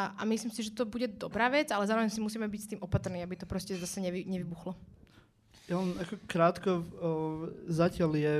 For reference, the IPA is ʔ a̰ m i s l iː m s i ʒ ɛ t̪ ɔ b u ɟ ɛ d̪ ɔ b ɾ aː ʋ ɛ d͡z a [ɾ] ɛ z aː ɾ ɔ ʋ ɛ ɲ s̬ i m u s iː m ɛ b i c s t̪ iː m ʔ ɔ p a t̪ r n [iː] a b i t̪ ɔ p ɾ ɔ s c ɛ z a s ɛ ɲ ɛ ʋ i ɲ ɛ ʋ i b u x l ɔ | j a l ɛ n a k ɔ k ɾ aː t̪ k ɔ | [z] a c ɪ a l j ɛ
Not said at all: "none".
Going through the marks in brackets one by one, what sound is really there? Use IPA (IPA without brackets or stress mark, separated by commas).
l, iː, z